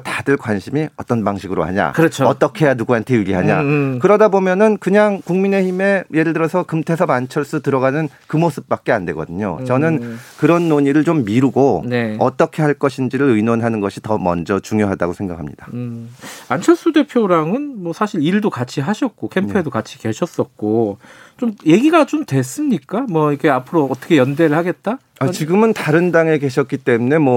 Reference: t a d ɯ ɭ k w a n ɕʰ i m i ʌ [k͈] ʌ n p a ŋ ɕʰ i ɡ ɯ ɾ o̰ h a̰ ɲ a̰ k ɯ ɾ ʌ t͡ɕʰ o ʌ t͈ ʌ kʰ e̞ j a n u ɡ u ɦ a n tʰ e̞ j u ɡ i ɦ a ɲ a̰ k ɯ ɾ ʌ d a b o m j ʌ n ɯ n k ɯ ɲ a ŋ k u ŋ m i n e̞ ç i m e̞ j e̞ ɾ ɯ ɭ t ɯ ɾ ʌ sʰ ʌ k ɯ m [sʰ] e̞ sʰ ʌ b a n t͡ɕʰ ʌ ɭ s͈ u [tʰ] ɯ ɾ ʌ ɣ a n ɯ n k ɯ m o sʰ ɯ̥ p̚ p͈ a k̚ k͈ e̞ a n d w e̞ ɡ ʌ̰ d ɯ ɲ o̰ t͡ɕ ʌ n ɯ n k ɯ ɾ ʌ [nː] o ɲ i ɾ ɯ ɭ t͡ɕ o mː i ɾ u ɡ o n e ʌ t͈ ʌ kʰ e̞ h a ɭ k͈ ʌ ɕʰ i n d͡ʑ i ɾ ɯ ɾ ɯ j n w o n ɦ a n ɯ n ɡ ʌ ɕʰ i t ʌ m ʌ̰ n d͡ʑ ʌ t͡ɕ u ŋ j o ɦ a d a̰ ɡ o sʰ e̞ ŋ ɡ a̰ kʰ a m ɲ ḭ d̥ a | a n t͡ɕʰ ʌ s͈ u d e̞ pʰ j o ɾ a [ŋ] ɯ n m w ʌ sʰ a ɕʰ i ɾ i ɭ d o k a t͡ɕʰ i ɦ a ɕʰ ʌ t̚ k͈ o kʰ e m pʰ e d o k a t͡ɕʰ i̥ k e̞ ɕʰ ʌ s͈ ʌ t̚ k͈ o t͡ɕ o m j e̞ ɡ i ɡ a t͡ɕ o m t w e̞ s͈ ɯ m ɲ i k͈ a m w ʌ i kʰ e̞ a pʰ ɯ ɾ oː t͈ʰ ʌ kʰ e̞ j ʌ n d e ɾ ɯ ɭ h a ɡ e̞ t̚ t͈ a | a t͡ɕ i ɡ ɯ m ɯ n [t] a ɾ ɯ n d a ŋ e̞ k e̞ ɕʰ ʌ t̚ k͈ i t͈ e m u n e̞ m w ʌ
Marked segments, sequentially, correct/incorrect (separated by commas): incorrect, incorrect, incorrect, correct, correct, correct